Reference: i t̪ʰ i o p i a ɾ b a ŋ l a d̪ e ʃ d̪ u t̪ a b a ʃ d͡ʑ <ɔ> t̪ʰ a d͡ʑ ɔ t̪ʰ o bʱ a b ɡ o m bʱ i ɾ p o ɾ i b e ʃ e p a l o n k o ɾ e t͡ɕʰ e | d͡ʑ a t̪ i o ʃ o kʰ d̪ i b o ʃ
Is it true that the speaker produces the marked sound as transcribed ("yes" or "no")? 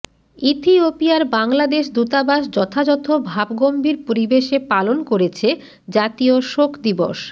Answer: yes